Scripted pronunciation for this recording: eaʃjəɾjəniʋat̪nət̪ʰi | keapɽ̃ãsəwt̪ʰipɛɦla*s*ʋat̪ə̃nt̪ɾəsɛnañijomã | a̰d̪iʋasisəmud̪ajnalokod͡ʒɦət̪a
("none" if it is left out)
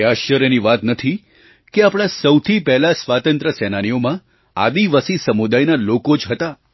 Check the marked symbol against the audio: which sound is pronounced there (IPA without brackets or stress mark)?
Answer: s